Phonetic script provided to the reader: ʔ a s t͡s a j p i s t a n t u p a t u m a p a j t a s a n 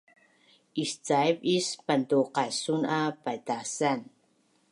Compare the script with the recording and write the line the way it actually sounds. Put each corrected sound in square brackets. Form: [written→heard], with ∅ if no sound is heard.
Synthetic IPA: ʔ [a→i] s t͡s a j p i s [t→p] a n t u [p→q] a [t→s] u [m→n] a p a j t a s a n

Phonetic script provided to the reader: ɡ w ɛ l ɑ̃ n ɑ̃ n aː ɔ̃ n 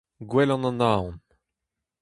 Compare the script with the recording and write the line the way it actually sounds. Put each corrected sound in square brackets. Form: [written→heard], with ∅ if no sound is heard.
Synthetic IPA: ɡ w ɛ l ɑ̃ n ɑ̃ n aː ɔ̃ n

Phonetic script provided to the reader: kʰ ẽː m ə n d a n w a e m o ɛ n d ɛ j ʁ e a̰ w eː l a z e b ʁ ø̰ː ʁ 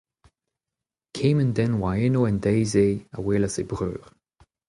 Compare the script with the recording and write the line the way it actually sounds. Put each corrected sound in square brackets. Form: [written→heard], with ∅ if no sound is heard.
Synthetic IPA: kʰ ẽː m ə n d [a→ɛ] n w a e [m→n] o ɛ n d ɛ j [ʁ→z] e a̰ w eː l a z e b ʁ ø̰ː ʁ

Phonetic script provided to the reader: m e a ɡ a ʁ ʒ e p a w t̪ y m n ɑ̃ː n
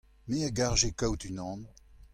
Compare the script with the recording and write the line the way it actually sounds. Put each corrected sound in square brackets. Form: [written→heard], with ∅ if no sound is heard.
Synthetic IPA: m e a ɡ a ʁ ʒ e [p→k] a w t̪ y [m→∅] n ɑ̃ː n

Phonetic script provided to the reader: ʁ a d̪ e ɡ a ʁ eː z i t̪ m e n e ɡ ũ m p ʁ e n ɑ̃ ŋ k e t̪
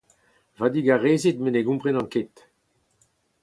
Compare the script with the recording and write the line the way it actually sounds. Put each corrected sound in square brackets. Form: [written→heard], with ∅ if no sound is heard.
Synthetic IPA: [ʁ→v] a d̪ [e→i] ɡ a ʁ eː z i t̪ m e n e ɡ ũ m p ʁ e n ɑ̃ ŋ k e t̪

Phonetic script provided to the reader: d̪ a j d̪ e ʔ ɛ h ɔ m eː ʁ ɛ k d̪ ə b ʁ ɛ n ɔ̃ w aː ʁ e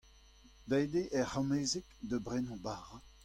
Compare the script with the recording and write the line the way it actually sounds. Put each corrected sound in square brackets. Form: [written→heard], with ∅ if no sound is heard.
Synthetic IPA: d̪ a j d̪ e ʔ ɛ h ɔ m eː [ʁ→z] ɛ k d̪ ə b ʁ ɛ n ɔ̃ [w→b] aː ʁ [e→a]

